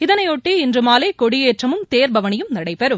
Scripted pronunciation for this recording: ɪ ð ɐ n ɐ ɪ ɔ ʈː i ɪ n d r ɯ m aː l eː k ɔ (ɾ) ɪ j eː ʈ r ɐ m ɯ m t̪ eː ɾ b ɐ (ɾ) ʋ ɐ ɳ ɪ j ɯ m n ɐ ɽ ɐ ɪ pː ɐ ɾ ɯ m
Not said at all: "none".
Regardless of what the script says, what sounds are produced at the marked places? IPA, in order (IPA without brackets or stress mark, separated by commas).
ɽ, none